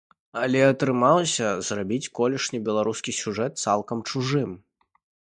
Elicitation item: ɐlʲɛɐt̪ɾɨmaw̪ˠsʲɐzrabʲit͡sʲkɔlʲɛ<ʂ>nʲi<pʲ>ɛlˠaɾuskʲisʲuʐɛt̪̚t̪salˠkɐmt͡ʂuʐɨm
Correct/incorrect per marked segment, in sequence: correct, incorrect: bʲ

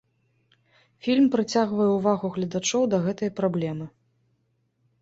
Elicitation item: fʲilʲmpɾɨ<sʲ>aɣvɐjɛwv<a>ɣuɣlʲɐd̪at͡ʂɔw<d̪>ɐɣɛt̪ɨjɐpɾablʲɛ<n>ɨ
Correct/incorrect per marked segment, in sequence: incorrect: t͡sʲ, correct, correct, incorrect: m

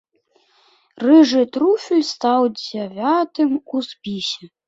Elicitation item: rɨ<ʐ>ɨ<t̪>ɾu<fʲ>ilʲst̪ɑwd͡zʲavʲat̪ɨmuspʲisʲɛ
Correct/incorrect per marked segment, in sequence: correct, correct, correct

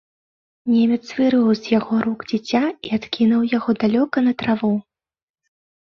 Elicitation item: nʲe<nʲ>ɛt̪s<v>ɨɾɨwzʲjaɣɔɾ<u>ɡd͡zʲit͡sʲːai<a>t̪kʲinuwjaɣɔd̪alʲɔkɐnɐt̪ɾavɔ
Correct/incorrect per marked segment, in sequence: incorrect: mʲ, correct, correct, correct

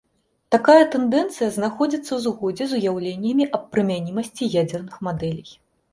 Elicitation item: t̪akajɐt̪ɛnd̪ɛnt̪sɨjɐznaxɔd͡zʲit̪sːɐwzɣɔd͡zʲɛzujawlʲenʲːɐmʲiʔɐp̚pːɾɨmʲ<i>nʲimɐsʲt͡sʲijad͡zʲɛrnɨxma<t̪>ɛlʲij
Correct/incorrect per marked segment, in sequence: incorrect: a, incorrect: d̪

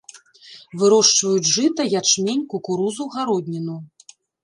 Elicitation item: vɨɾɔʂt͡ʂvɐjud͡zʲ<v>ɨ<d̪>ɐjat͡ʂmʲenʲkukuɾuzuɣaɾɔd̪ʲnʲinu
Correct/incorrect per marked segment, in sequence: incorrect: ʐ, incorrect: t̪

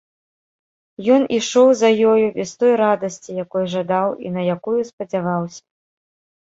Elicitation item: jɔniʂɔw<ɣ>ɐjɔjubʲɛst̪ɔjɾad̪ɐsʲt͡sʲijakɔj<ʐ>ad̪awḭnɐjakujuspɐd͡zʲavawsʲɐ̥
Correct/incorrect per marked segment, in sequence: incorrect: z, correct

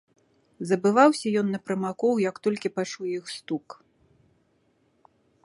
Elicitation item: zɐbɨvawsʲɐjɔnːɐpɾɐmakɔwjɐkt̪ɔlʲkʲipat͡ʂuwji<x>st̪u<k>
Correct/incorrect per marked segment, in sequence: correct, correct

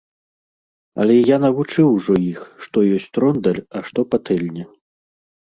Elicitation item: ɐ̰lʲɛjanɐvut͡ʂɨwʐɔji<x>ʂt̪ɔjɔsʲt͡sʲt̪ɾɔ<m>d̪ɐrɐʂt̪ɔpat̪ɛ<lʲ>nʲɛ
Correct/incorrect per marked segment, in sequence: correct, incorrect: n, correct

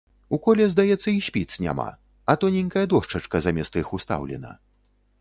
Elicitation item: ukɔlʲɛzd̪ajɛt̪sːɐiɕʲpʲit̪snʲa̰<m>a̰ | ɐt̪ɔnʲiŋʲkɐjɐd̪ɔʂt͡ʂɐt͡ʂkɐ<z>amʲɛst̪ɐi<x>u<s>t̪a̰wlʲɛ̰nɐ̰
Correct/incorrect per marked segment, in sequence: correct, correct, correct, correct

